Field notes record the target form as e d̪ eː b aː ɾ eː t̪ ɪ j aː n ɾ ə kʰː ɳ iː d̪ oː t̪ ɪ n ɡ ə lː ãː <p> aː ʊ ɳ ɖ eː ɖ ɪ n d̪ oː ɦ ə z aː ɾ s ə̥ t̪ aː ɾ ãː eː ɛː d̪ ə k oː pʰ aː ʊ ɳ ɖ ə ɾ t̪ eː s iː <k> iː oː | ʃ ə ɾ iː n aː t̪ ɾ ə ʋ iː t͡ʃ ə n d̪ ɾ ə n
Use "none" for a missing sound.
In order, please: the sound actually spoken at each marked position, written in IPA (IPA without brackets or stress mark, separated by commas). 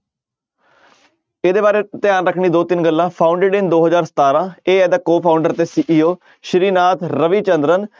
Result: pʰ, ʔ